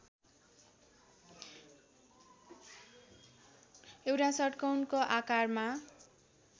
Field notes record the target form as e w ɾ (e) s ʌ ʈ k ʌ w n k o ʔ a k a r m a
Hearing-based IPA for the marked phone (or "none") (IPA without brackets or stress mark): a